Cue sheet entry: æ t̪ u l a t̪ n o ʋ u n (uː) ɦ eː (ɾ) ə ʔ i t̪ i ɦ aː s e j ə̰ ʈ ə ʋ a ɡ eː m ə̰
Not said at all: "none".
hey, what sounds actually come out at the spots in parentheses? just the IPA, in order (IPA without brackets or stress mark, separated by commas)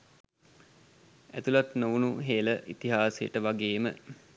u, l